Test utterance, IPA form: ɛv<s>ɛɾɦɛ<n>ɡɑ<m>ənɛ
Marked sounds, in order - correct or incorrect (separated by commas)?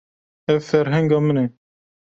incorrect, incorrect, correct